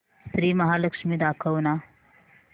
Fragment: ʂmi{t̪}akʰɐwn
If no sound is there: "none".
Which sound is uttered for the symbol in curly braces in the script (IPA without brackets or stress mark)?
d̪